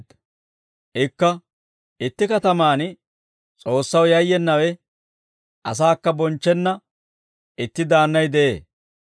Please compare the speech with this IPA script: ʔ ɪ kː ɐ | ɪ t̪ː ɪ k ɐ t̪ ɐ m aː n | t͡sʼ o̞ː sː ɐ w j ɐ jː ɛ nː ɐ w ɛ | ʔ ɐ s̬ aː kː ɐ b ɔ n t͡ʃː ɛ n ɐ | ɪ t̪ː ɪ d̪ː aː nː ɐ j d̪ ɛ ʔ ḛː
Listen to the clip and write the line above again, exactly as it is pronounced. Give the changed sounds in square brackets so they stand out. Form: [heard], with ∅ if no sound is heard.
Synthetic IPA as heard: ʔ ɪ kː ɐ | ɪ t̪ː ɪ k ɐ t̪ ɐ m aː n | t͡sʼ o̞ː sː ɐ w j ɐ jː ɛ nː ɐ w ɛ | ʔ ɐ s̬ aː kː ɐ b ɔ n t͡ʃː ɛ [nː] ɐ | ɪ t̪ː ɪ [d̪] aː nː ɐ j d̪ ɛ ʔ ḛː